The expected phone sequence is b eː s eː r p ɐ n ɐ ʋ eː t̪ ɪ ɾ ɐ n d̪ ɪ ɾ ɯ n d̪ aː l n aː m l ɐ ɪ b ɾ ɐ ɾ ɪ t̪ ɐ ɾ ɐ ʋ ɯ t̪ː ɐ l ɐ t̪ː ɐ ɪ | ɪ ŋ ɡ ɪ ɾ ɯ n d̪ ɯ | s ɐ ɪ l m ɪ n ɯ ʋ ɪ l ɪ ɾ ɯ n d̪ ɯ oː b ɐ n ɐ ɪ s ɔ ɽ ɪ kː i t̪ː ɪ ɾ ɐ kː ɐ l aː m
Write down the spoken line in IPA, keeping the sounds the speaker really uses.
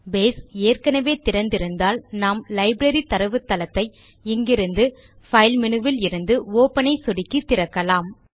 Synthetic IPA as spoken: b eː s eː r k ɐ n ɐ ʋ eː t̪ ɪ ɾ ɐ n d̪ ɪ ɾ ɯ n d̪ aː l n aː m l ɐ ɪ b ɾ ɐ ɾ i t̪ ɐ ɾ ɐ ʋ ɯ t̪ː ɐ l ɐ t̪ː ɐ ɪ | ɪ ŋ ɡ ɪ ɾ ɯ n d̪ ɯ | f ɐ ɪ l m ɪ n ɯ ʋ ɪ l ɪ ɾ ɯ n d̪ ɯ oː p ɐ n ɐ ɪ s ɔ ɽ ɪ kː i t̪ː ɪ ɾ ɐ kː ɐ l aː m